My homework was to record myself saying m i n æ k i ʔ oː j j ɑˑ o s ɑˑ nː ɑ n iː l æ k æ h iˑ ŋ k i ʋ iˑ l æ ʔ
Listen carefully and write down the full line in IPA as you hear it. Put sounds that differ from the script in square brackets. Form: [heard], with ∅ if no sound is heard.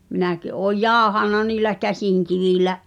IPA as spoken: m i n æ k i ʔ oː j j ɑˑ o [h] ɑˑ nː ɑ n iː l æ k æ [s] iˑ ŋ k i ʋ iˑ l æ ʔ